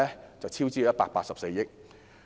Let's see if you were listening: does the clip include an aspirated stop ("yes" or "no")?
yes